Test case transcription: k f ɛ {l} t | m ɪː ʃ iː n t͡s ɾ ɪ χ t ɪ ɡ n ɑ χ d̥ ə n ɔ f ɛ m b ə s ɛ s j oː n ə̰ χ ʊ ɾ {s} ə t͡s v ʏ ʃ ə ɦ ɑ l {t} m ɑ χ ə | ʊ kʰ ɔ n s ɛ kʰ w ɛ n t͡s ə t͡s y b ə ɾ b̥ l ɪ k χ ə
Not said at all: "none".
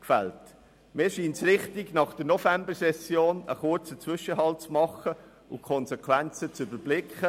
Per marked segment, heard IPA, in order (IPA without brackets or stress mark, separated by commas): l, t͡s, t͡s